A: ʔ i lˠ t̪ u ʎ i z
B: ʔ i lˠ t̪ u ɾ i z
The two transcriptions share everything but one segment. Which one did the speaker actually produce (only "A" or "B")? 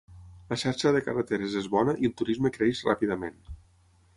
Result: B